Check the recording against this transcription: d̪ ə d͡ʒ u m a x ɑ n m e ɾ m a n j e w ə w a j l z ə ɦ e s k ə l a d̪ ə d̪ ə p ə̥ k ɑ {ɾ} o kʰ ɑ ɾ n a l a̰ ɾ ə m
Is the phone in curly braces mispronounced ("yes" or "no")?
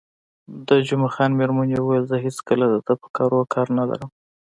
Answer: no